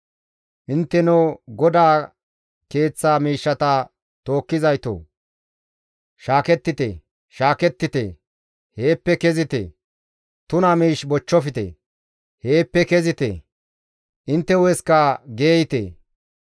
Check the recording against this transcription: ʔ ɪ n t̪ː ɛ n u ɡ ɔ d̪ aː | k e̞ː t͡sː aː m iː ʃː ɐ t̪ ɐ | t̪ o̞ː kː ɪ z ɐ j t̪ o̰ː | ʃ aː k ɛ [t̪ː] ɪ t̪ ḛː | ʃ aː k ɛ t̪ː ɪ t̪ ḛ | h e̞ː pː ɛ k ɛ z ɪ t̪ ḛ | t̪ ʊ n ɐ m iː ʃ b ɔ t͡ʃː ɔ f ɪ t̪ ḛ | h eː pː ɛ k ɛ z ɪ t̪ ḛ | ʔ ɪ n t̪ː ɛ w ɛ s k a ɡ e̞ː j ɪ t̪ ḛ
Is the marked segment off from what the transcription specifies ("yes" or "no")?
no